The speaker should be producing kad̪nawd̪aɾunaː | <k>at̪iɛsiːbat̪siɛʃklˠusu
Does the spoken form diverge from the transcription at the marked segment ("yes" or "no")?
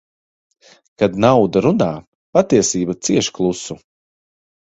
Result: yes